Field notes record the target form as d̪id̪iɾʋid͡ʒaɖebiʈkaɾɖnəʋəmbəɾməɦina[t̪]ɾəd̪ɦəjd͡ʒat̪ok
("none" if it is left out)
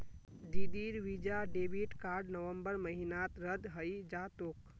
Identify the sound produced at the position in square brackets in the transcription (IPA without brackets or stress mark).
t̪